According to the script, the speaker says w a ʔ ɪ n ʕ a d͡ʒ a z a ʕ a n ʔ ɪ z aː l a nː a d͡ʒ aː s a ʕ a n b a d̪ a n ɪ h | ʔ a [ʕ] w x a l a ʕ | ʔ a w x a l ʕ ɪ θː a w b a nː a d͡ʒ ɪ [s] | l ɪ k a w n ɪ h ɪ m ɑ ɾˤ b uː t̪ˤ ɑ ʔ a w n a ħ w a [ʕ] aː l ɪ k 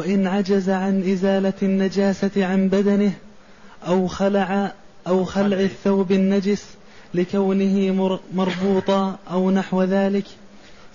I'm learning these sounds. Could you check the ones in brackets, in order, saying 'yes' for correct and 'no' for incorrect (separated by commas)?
no, yes, no